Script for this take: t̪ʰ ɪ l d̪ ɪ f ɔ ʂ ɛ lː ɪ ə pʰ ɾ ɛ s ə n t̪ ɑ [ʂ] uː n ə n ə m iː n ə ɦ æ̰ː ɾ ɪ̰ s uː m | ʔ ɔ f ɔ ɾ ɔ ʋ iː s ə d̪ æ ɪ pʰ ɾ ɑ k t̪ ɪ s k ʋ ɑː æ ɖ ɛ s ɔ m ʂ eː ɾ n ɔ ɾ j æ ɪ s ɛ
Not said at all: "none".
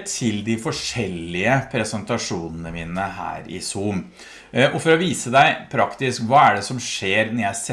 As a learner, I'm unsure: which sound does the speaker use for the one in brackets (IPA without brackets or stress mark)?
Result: ʂ